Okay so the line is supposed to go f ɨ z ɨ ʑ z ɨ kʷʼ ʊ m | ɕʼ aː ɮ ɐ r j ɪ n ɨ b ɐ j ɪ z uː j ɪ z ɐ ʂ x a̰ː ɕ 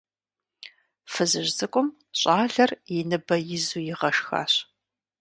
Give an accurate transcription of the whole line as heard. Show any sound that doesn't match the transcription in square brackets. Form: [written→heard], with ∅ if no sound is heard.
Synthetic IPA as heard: f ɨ z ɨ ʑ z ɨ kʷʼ ʊ m | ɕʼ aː ɮ ɐ r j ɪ n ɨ b ɐ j ɪ z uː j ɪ [z→ʁ] ɐ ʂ x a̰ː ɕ